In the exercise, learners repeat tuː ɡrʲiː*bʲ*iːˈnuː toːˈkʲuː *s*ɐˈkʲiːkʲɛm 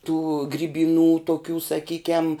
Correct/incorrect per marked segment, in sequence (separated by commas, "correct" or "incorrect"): correct, correct